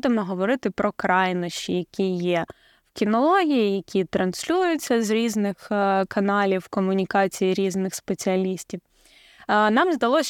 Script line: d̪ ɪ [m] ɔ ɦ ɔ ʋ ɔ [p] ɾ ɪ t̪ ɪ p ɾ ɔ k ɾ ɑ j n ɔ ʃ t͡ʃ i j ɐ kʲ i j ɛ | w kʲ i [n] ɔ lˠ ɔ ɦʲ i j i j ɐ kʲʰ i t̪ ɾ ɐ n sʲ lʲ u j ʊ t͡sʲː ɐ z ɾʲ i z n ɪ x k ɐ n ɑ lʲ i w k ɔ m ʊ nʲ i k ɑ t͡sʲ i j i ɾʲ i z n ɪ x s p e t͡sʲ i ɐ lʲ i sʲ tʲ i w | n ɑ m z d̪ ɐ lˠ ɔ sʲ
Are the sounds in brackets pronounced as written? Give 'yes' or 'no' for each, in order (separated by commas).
yes, no, yes